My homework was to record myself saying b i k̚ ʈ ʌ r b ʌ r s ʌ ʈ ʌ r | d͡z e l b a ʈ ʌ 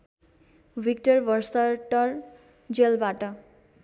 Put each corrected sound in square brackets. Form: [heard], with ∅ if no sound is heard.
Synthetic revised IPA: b i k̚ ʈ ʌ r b ʌ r s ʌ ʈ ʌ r | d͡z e l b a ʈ ʌ

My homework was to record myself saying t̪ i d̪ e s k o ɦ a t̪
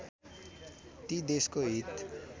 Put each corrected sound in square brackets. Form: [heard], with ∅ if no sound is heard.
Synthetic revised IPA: t̪ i d̪ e s k o ɦ [i] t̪

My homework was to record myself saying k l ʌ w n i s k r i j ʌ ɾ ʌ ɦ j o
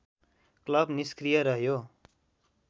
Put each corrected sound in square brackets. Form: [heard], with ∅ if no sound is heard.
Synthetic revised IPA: k l ʌ [b] n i s k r i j ʌ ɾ ʌ ɦ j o

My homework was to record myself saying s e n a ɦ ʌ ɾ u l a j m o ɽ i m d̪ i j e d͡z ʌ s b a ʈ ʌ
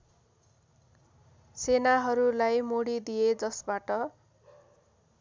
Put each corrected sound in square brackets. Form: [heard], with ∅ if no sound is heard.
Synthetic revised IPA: s e n a ɦ ʌ ɾ u l a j m o ɽ i [∅] d̪ i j e d͡z ʌ s b a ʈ ʌ

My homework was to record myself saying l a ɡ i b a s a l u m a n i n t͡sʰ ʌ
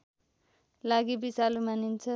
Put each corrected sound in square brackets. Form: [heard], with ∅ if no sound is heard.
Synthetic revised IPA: l a ɡ i b [i] s a l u m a n i n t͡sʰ ʌ

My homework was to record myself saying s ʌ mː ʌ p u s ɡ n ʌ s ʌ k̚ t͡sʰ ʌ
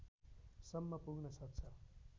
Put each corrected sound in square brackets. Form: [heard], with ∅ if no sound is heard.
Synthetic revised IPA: s ʌ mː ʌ p u [∅] ɡ n ʌ s ʌ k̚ t͡sʰ ʌ

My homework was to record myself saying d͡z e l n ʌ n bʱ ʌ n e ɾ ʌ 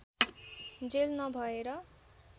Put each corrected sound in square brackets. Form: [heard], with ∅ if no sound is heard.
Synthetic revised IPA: d͡z e l n ʌ [∅] bʱ ʌ [∅] e ɾ ʌ

